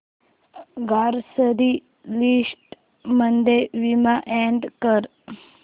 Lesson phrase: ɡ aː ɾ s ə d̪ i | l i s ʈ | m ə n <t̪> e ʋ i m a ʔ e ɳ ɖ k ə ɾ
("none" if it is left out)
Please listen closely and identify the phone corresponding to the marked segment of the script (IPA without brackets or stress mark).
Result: d̪